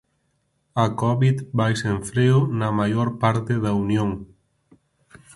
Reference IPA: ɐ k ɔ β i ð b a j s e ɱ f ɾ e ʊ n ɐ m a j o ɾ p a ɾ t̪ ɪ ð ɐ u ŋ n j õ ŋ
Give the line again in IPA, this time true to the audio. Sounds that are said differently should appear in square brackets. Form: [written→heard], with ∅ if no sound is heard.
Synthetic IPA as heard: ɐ k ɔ β i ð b a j s e ɱ f ɾ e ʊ n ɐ m a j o ɾ p a ɾ t̪ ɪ ð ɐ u [ŋ→∅] n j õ ŋ